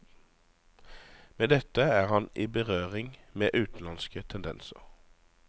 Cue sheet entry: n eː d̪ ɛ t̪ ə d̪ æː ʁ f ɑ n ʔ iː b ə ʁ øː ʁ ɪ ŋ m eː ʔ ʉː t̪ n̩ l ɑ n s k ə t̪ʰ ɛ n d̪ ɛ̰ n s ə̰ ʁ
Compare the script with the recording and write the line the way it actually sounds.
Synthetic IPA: m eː d̪ ɛ t̪ ə æː ʁ h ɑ n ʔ iː b ə ʁ øː ʁ ɪ ŋ m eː ʔ ʉː t̪ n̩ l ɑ n s k ə t̪ʰ ɛ n d̪ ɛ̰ n s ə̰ ʁ